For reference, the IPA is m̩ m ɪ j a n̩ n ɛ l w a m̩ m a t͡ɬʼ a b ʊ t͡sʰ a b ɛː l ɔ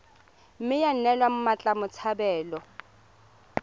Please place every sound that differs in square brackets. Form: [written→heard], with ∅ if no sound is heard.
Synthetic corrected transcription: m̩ m ɪ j a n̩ n ɛ l w a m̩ m a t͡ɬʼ a [b→m] ʊ t͡sʰ a b ɛː l ɔ